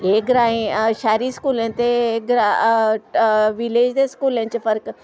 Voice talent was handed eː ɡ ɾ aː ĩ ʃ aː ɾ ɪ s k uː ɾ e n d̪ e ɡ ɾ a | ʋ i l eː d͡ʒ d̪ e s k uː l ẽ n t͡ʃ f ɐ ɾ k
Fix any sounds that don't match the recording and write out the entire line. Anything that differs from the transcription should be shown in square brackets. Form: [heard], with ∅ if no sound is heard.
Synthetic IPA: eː ɡ ɾ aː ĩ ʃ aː ɾ [i] s k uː [l] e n [t̪] e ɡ ɾ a | ʋ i l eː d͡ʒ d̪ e s k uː l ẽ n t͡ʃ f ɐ ɾ k